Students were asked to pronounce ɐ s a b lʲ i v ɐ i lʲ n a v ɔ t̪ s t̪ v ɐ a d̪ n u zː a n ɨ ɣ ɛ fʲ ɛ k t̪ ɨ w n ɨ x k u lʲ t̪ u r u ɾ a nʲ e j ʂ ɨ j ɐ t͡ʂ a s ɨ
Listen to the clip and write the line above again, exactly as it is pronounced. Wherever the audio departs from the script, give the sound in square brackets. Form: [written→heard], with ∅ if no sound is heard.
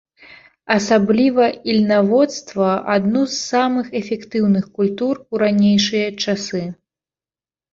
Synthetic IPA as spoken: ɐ s a b lʲ i v ɐ i lʲ n a v ɔ t̪ s t̪ v ɐ a d̪ n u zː a [n→m] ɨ [ɣ→x] ɛ fʲ ɛ k t̪ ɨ w n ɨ x k u lʲ t̪ u r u ɾ a nʲ e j ʂ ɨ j ɐ t͡ʂ a s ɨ